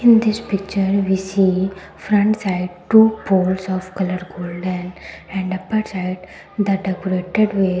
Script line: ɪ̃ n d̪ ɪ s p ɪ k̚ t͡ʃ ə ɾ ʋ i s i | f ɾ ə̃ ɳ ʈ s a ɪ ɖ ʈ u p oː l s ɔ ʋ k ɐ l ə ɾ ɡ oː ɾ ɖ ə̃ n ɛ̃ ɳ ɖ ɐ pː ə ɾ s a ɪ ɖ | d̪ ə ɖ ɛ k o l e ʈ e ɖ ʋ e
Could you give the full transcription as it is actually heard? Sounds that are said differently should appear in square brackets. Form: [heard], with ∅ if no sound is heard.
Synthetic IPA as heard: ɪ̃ n d̪ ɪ s p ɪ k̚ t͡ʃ ə ɾ ʋ i s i | f ɾ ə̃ ɳ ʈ s a ɪ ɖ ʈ u p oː l s ɔ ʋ k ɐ l ə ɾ ɡ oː [l] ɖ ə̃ n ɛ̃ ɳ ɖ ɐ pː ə ɾ s a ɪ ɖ | d̪ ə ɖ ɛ k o [ɾ] e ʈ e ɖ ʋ e